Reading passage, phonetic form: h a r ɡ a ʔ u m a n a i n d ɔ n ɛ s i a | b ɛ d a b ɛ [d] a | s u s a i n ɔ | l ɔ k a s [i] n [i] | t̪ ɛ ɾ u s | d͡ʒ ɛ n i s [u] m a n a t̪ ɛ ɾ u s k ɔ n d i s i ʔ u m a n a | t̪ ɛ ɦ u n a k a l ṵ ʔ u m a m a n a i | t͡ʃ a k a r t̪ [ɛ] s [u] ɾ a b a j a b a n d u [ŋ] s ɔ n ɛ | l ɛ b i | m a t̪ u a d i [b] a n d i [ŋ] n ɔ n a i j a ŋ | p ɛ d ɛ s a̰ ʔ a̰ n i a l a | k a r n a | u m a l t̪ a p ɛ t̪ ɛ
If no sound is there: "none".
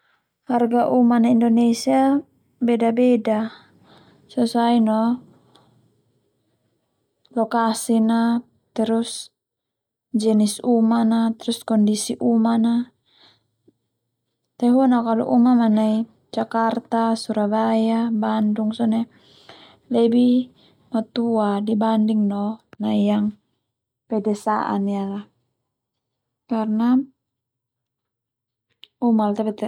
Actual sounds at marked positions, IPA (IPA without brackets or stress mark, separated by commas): d, i, a, u, a, u, ŋ, b, ŋ